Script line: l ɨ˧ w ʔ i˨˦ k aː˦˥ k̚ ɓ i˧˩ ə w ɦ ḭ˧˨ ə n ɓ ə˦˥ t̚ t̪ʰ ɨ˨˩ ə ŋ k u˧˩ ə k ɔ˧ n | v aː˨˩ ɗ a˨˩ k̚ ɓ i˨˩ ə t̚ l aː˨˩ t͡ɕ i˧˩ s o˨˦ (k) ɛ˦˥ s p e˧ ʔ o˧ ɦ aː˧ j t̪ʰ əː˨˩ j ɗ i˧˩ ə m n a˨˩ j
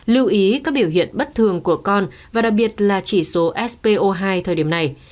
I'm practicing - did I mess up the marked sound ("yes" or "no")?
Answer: yes